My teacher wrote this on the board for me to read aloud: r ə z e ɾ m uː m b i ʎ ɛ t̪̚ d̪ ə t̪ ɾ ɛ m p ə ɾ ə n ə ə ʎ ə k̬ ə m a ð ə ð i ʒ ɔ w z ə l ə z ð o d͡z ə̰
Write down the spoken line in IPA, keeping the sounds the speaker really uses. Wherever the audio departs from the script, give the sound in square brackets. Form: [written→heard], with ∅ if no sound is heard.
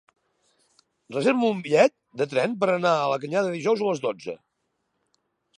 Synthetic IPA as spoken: r ə z e ɾ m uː m b i ʎ ɛ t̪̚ d̪ ə t̪ ɾ ɛ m p ə ɾ ə n [ə→a] ə [ʎ→l] ə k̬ ə [m→ɲ] a ð ə ð i ʒ ɔ w z ə l ə z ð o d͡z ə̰